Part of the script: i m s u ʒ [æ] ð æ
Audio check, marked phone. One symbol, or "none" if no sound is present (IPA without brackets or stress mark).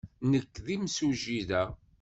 i